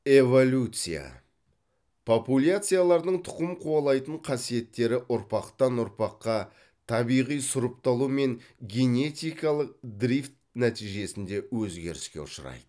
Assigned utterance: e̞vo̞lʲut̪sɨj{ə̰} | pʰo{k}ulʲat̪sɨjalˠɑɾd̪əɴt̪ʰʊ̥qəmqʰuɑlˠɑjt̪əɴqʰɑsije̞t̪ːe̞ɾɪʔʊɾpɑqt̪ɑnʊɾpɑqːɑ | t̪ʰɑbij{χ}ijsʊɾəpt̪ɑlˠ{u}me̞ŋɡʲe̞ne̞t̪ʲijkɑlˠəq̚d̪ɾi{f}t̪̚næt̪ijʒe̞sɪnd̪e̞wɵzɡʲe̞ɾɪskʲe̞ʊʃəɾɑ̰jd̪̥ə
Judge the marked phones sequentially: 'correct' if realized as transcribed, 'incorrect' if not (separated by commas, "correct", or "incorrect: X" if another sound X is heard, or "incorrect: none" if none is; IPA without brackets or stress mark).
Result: incorrect: a̰, incorrect: p, incorrect: ʁ, correct, correct